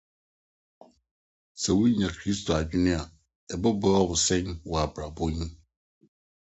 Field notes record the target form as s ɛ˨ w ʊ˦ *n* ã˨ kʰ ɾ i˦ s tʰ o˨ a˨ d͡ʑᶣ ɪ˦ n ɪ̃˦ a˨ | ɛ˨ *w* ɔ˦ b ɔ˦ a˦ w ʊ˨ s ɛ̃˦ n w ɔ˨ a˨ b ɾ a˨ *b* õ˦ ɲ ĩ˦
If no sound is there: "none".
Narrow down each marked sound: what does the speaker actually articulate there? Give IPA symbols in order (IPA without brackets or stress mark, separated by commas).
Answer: ɲ, b, b